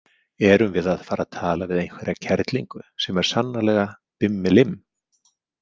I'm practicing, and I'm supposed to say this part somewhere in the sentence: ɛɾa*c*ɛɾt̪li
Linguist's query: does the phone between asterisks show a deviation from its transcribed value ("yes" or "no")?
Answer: yes